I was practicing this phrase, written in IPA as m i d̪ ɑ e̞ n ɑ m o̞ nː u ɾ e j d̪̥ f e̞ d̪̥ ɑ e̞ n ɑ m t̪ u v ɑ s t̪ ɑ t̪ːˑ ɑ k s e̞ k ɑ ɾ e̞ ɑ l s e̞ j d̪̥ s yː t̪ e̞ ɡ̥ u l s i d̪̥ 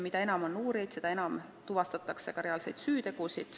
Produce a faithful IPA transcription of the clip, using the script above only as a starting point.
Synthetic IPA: m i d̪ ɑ e̞ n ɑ m o̞ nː uː ɾ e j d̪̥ s e̞ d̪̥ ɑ e̞ n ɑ m t̪ u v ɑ s t̪ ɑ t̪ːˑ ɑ k s e̞ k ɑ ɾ e̞ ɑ l s e̞ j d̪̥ s yː t̪ e̞ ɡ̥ u s i d̪̥